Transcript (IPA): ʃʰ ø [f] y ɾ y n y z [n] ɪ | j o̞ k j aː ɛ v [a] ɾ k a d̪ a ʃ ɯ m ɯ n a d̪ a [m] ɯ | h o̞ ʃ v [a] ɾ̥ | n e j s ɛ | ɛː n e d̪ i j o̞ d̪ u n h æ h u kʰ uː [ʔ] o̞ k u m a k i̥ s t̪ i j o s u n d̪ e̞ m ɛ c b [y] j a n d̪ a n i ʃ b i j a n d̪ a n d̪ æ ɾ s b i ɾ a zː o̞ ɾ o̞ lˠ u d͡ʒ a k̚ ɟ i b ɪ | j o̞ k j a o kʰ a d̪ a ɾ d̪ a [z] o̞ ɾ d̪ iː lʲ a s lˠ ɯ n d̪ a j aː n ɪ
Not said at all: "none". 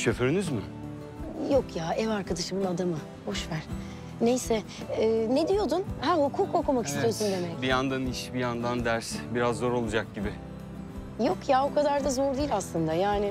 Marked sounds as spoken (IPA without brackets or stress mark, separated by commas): f, m, a, m, æ, k, i, z